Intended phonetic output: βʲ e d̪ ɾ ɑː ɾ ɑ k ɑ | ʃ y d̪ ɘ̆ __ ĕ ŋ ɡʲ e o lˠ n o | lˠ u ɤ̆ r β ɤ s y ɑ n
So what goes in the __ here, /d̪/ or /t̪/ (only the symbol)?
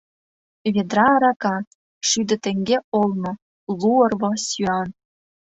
t̪